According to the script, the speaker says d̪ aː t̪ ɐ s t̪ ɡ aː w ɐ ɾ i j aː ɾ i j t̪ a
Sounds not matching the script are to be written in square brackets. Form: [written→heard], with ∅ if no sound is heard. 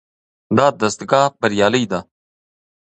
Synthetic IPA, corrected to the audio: d̪ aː [t̪→d̪] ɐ s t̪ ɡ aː [w→b] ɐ ɾ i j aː [ɾ→l] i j [t̪→d̪] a